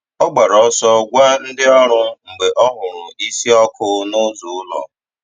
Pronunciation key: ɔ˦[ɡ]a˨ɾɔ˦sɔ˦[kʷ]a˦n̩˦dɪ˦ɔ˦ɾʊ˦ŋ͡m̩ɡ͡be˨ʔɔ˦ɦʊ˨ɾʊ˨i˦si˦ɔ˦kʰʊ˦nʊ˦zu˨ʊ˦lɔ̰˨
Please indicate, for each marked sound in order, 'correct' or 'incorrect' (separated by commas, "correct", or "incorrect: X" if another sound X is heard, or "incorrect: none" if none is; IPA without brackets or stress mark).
incorrect: ɡ͡b, incorrect: ɡʷ